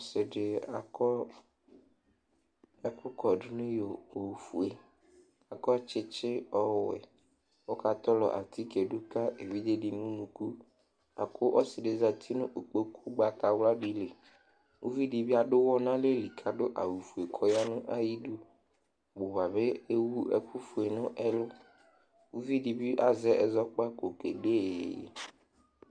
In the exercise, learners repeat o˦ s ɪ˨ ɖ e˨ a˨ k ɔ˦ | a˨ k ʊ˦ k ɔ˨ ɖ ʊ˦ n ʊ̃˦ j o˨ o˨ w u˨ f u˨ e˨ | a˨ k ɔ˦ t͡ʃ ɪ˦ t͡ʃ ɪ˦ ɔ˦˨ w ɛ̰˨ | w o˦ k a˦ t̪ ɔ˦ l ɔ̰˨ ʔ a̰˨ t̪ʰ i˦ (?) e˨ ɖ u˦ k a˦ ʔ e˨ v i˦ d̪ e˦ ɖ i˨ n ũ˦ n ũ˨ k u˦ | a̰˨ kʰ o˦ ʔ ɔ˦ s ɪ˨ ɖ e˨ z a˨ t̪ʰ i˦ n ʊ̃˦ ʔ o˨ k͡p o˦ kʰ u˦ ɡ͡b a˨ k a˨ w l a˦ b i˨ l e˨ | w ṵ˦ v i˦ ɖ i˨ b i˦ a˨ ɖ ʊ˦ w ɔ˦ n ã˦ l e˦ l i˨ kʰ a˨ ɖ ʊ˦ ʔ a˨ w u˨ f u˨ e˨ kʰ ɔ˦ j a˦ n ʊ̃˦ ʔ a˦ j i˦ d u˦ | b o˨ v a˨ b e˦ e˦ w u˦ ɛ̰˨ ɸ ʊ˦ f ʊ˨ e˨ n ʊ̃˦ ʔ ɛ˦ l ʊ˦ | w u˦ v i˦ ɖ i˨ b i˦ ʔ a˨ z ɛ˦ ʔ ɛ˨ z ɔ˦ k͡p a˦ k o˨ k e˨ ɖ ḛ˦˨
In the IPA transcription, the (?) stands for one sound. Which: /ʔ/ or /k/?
k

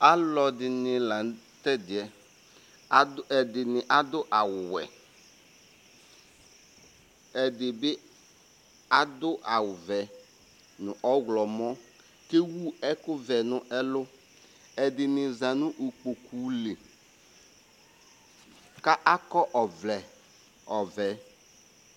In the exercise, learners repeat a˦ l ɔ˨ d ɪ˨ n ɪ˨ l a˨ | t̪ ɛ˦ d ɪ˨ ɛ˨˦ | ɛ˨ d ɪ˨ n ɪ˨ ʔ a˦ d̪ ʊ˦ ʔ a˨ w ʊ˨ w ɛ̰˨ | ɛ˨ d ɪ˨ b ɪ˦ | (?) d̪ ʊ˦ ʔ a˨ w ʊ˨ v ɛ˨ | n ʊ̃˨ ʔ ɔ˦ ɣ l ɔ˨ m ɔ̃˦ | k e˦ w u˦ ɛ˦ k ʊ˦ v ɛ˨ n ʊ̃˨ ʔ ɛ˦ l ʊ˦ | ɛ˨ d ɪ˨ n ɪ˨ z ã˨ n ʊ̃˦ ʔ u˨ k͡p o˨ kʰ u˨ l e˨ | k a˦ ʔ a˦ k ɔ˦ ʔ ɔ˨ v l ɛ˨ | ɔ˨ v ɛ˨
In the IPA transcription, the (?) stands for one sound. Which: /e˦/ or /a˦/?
a˦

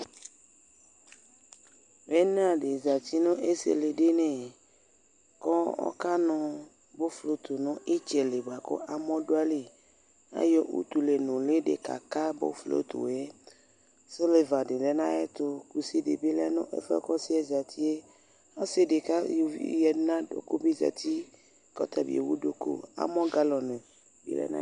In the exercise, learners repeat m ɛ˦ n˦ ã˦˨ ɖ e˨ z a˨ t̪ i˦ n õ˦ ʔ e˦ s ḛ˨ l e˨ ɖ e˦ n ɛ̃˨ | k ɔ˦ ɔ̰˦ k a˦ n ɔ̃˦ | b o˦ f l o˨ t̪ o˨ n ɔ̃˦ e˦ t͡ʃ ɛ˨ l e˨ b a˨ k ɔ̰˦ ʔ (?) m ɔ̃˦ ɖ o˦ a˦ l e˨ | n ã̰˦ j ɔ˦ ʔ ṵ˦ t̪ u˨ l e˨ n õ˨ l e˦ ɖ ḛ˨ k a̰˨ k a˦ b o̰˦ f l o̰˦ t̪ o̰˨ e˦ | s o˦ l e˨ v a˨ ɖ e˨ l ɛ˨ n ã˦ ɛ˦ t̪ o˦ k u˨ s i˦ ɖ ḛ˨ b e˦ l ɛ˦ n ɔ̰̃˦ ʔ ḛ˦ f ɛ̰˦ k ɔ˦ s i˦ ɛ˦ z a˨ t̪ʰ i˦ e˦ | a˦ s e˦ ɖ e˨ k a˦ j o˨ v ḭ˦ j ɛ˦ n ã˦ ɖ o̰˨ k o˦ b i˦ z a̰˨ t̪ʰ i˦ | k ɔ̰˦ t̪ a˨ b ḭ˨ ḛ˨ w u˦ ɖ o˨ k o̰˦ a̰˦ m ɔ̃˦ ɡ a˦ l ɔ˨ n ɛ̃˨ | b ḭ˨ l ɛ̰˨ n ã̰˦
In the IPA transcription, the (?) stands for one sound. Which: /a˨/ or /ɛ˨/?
a˨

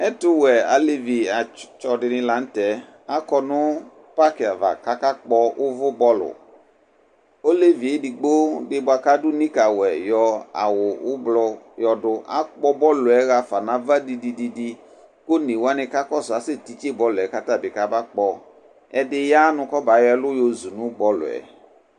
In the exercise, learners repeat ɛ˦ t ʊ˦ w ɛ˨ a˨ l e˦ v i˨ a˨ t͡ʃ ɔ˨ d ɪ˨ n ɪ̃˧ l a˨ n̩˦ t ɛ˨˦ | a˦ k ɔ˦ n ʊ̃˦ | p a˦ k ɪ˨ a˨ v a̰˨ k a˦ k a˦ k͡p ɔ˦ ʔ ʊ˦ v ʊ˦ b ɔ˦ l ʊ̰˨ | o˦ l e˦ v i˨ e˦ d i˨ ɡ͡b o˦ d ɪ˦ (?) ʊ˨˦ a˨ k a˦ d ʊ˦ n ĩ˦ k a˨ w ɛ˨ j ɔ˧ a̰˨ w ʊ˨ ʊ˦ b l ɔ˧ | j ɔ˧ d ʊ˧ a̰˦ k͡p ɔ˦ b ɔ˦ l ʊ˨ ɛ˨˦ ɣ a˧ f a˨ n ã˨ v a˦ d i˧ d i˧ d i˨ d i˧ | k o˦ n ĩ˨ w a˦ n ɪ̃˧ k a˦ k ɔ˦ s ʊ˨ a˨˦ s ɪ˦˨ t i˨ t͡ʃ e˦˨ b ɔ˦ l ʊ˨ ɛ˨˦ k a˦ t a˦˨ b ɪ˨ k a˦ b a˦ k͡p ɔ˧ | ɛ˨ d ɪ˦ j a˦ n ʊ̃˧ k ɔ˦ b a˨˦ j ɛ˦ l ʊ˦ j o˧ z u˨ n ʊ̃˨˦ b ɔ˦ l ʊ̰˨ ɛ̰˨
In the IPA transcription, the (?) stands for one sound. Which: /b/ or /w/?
b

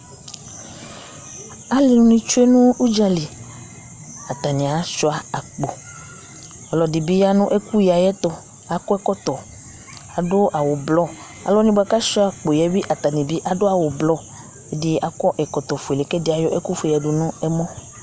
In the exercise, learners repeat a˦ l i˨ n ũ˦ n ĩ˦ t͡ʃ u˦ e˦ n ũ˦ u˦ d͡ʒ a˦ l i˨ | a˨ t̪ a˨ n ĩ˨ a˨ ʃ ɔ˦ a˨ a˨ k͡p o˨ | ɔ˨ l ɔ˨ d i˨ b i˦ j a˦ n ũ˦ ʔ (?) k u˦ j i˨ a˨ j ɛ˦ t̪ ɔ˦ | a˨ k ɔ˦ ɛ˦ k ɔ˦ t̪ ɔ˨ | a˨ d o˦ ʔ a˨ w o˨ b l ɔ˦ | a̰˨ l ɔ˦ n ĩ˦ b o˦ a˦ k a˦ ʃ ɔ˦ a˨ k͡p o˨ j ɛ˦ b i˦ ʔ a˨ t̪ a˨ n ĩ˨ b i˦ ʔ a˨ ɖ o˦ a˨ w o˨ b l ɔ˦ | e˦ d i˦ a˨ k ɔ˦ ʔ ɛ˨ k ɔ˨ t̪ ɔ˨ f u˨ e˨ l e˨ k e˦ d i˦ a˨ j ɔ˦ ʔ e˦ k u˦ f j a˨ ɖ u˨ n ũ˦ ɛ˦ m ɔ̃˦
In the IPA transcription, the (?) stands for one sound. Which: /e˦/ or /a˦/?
e˦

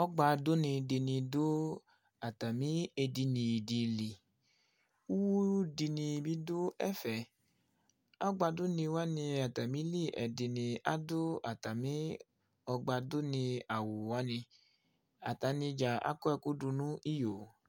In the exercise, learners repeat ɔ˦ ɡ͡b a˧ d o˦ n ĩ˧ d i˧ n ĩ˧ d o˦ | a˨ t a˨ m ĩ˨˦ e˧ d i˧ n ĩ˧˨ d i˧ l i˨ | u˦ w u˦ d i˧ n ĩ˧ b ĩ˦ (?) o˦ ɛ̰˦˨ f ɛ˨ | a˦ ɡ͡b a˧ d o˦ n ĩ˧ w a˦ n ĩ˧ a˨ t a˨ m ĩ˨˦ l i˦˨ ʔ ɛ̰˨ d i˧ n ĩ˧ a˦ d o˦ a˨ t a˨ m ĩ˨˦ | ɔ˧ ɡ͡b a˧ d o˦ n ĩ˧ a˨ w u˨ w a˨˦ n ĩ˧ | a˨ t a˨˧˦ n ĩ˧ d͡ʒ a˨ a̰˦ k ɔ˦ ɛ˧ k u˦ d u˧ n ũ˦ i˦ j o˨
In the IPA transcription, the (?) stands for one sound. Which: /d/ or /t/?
d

